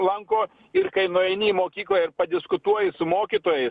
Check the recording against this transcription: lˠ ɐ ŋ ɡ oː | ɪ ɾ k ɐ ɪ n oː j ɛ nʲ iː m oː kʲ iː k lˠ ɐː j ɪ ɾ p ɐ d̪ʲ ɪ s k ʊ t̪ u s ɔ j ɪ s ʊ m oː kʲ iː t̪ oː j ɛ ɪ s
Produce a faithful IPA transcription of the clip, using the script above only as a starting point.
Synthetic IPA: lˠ ɐ ŋ k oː | ɪ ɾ k ɐ ɪ n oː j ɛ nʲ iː m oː kʲ iː k lˠ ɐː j ɪ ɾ p ɐ d̪ʲ ɪ s k ʊ t̪ u ɔ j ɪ s ʊ m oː kʲ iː t̪ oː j ɛ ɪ s